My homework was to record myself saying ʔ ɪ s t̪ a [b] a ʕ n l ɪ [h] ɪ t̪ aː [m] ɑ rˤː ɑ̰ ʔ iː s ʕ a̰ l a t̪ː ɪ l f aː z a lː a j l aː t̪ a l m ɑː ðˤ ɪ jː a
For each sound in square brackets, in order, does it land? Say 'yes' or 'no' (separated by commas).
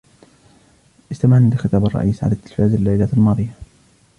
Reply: no, no, no